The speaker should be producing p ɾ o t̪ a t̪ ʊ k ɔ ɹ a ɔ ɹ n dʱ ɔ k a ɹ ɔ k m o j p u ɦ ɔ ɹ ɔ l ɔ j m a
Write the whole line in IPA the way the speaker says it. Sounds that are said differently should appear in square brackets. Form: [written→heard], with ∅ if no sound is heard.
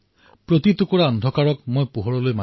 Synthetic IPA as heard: p [ɾ→ɹ] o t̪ [a→i] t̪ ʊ k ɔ ɹ a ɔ [ɹ→∅] n dʱ ɔ k a ɹ ɔ k m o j p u ɦ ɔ ɹ ɔ l [ɔ→o] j m a